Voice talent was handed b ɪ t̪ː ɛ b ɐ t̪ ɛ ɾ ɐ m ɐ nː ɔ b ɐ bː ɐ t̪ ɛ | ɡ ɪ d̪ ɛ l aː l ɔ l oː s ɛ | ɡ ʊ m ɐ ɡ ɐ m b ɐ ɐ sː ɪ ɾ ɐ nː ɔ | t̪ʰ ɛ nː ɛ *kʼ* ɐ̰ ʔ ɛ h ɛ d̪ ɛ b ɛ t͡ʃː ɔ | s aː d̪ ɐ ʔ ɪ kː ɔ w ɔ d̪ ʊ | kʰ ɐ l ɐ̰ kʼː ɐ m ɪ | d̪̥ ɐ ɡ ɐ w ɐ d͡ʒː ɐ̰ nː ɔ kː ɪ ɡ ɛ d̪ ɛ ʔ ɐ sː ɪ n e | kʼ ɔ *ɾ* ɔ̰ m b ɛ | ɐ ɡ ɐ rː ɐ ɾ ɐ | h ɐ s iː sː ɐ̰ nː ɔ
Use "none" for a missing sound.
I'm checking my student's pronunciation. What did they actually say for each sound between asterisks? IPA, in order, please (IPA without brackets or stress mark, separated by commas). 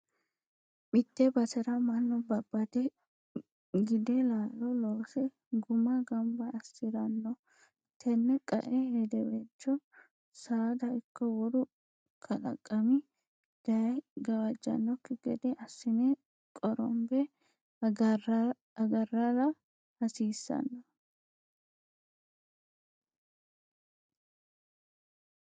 kʼ, ɾ